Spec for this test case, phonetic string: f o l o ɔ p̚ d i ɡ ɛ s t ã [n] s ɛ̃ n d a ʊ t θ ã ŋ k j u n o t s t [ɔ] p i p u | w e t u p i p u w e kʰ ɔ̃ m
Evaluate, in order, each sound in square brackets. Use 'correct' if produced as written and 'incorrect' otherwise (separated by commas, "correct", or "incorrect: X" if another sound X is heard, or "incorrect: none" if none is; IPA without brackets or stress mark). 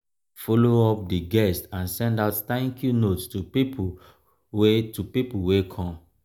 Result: correct, incorrect: u